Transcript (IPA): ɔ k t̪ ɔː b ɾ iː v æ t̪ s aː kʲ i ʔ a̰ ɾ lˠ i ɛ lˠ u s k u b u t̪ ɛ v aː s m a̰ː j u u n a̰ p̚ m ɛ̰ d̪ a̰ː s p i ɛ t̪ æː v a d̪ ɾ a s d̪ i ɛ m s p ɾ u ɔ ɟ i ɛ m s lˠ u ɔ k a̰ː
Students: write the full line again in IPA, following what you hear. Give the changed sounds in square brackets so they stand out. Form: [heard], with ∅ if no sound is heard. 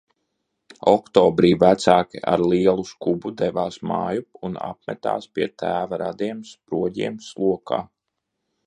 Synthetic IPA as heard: ɔ k t̪ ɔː b ɾ iː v æ t̪ s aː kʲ i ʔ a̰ ɾ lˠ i ɛ lˠ u s k u b u [d̪] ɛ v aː s m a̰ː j u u n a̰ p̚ m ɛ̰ [t̪] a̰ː s p i ɛ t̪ æː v a [∅] ɾ a [∅] d̪ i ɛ m s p ɾ u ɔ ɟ i ɛ m s lˠ u ɔ k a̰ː